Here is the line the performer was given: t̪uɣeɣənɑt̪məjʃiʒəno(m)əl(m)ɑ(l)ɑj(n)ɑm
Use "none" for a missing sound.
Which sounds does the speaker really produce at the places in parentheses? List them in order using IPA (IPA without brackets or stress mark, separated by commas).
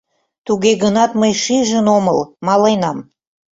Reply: m, m, l, n